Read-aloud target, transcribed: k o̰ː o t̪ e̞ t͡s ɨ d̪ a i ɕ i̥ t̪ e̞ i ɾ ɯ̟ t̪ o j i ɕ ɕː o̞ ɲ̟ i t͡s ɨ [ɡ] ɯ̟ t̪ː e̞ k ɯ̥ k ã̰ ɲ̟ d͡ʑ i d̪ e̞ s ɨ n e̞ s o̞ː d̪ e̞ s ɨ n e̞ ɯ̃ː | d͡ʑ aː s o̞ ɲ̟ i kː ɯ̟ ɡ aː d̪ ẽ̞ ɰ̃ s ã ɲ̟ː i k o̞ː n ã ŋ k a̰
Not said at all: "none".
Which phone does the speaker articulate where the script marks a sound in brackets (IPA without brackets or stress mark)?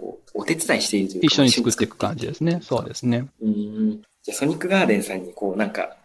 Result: k